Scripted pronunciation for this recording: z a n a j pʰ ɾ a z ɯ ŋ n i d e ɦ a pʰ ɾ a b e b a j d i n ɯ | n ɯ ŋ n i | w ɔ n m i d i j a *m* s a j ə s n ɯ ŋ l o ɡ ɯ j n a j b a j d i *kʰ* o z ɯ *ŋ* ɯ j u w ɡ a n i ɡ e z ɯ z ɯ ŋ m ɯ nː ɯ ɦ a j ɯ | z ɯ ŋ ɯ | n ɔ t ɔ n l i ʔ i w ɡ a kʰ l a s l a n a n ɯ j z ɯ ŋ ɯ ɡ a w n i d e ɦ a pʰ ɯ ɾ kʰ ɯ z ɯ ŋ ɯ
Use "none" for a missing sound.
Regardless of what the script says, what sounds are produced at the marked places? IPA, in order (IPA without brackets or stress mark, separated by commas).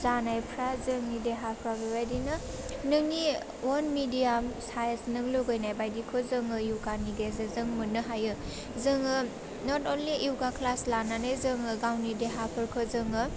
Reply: m, kʰ, ŋ